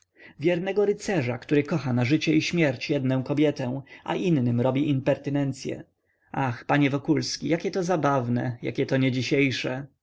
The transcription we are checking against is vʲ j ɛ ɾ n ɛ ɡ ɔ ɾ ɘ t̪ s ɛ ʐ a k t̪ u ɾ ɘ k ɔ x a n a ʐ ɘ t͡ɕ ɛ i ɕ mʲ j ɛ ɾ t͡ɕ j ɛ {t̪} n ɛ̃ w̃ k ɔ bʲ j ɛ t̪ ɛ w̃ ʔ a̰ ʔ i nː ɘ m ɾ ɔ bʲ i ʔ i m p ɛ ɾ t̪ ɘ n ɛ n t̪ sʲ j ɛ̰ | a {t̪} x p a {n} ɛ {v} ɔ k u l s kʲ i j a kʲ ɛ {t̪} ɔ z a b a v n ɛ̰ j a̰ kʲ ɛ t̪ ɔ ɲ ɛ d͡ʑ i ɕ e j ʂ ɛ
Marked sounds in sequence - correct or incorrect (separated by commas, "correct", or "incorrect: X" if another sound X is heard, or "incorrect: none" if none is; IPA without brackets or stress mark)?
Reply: incorrect: d̪, incorrect: none, incorrect: ɲ, correct, correct